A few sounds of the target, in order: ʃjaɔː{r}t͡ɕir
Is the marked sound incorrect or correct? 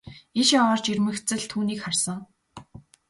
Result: correct